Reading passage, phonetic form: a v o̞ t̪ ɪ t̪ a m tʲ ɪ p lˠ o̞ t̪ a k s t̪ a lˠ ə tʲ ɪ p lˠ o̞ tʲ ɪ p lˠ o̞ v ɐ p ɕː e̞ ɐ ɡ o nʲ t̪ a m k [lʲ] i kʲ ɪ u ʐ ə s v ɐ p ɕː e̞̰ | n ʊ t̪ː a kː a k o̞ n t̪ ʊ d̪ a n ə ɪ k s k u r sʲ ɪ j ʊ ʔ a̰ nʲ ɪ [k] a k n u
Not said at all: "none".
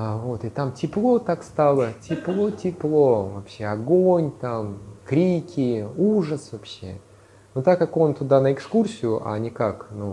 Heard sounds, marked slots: ɾʲ, k

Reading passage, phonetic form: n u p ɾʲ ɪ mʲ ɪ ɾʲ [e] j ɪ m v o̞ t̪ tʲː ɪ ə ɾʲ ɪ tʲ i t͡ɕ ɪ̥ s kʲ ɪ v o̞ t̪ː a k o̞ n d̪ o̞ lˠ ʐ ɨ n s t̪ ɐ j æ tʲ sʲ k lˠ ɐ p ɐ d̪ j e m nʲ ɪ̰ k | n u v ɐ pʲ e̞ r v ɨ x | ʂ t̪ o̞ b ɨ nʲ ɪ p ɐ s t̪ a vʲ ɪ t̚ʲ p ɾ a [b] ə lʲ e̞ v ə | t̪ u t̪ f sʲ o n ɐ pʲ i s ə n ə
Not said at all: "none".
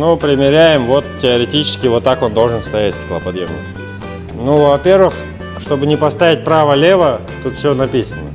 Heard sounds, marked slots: æ, v

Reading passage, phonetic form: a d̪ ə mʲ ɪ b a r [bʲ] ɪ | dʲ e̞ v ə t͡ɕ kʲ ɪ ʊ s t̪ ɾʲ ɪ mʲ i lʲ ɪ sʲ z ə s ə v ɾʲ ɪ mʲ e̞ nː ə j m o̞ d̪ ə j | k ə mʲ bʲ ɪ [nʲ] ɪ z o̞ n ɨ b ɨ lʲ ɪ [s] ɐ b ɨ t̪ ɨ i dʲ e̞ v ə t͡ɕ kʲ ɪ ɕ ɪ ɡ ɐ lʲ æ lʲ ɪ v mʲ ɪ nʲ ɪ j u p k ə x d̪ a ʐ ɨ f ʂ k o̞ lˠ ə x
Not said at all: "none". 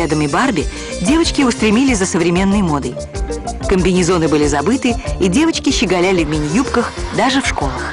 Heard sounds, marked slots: bʲ, nʲ, z

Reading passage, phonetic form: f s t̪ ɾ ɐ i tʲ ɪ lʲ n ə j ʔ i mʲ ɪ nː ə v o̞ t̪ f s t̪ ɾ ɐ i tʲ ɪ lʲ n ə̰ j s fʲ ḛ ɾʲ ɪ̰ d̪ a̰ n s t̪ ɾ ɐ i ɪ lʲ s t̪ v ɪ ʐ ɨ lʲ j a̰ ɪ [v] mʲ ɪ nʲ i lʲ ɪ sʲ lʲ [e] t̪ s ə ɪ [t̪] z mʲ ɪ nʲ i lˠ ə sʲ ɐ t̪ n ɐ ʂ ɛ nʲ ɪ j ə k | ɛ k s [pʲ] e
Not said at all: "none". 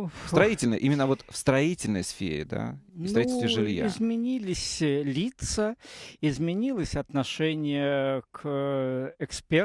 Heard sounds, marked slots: z, i, none, pʲ

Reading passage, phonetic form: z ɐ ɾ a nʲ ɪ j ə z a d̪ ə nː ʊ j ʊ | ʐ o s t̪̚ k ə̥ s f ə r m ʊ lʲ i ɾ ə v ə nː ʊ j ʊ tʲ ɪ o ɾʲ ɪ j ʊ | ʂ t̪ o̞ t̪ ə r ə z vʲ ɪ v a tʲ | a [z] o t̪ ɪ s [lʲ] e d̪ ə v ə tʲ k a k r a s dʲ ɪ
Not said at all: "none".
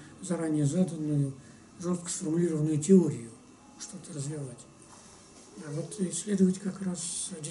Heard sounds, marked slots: v, lʲ

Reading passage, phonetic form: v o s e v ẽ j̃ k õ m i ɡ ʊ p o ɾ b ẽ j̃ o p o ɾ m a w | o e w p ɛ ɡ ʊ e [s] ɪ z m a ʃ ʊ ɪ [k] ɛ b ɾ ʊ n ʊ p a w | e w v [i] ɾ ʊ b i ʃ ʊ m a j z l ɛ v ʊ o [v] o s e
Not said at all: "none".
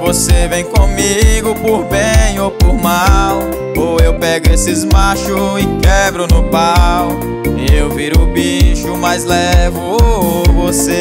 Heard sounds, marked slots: s, k, i, v

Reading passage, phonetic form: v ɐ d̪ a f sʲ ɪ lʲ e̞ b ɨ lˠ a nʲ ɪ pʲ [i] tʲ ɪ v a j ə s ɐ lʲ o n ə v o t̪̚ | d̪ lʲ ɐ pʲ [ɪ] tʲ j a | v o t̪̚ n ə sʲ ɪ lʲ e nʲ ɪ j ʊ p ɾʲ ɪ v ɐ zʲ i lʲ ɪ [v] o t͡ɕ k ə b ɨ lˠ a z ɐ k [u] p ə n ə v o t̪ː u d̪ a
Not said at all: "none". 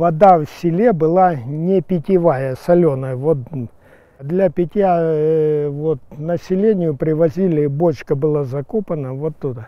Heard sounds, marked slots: ɪ, ɪ, b, o

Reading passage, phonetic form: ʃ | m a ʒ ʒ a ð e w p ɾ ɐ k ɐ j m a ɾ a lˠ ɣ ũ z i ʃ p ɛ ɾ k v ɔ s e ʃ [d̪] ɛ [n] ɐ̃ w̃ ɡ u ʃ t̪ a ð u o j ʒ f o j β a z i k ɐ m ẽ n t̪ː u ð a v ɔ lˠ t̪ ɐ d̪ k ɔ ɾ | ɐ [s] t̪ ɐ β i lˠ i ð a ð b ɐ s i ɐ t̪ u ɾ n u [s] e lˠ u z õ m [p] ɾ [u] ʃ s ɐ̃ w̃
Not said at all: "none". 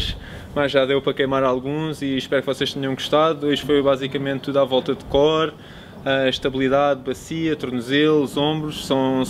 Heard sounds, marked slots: t̪, ɲ, ʃ, z, b, u

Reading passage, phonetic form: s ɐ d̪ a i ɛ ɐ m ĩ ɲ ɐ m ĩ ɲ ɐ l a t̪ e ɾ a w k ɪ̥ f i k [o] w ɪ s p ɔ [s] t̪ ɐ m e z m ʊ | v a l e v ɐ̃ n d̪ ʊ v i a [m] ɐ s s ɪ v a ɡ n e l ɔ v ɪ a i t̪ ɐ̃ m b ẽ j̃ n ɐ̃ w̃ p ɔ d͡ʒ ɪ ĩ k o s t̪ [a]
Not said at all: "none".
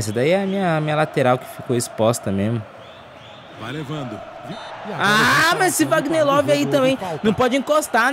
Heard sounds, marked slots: o, s, m, a

